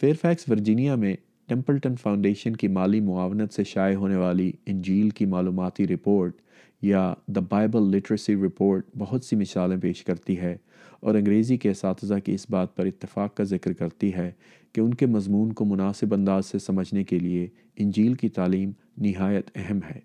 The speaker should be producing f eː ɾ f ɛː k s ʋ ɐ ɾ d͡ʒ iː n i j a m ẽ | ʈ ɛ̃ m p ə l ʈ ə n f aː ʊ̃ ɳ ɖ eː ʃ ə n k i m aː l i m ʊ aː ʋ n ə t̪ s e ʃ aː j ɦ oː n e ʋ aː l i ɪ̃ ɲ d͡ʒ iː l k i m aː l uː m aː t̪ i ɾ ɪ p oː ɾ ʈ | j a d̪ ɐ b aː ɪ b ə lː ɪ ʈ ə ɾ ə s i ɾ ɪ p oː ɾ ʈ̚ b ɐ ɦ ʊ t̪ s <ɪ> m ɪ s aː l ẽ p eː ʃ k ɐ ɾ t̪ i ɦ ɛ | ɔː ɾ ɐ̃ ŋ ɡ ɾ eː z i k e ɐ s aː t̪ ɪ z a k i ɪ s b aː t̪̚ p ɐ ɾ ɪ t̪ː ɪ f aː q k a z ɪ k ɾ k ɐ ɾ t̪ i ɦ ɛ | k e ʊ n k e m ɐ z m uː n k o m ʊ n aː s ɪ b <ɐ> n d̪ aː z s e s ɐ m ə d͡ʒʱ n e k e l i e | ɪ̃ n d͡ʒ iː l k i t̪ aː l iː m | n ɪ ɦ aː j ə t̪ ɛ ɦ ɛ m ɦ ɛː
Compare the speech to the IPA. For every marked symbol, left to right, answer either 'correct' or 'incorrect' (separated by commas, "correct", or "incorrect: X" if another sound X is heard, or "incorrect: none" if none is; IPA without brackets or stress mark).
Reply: incorrect: i, incorrect: ɐ̃